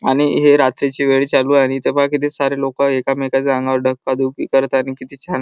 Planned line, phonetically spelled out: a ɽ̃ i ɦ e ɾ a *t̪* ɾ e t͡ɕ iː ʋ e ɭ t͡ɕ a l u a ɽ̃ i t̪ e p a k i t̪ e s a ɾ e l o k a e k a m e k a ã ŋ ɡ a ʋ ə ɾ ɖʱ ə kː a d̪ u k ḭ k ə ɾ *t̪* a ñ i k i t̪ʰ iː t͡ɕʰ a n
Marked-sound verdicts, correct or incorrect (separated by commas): correct, correct